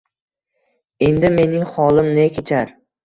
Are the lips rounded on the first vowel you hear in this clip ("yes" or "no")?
no